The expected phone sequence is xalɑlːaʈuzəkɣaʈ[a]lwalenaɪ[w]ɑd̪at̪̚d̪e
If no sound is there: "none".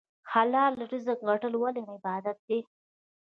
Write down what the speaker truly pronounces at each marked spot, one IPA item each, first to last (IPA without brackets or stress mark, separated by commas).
ə, b